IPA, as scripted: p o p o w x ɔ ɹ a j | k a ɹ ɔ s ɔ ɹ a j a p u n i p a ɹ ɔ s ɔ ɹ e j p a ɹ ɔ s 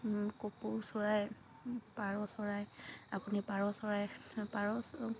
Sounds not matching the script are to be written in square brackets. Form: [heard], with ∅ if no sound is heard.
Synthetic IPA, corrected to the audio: [k] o p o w [s] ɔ ɹ a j | [p] a ɹ ɔ s ɔ ɹ a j a p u n i p a ɹ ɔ s ɔ ɹ [a] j p a ɹ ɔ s